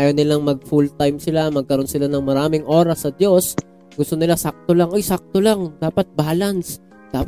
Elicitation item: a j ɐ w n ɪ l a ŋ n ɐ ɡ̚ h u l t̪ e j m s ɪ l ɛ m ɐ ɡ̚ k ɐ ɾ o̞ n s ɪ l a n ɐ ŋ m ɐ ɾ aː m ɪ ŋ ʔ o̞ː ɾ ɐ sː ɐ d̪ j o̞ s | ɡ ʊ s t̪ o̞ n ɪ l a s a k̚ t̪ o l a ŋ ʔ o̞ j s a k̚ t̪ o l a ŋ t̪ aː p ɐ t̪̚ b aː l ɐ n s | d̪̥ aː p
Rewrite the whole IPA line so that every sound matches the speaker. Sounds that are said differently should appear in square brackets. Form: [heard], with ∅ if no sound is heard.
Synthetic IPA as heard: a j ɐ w n ɪ l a ŋ [m] ɐ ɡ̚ [f] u l t̪ [a] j m s ɪ l [a] m ɐ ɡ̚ k ɐ ɾ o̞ n s ɪ l a n ɐ ŋ m ɐ ɾ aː m ɪ ŋ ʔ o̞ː ɾ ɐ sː ɐ d̪ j o̞ s | ɡ ʊ s t̪ o̞ n ɪ l a s a k̚ t̪ o l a ŋ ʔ o̞ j s a k̚ t̪ o l a ŋ [d̪] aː p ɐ t̪̚ b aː l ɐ n s | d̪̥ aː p